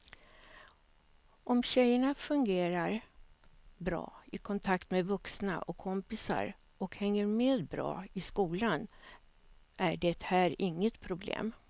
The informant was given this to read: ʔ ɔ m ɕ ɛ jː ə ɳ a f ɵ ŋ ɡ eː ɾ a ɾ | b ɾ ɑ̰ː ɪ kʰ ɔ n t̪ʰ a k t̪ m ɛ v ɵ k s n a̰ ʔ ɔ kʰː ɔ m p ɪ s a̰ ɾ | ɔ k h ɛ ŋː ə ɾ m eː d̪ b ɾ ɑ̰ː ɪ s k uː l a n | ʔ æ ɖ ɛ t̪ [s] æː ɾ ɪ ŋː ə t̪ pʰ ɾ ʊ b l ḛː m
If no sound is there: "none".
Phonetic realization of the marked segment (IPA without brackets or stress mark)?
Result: h